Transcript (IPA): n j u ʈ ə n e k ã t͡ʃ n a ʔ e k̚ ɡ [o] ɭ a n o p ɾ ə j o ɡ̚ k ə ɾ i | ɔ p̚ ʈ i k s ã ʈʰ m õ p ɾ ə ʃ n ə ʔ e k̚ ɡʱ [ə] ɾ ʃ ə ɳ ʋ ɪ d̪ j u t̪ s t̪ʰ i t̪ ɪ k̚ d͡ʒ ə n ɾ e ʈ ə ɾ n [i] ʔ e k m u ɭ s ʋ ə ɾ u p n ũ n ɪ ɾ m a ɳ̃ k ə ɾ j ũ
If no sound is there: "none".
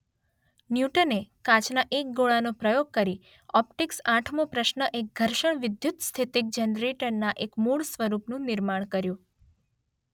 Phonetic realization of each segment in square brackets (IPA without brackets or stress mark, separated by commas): o, ə, a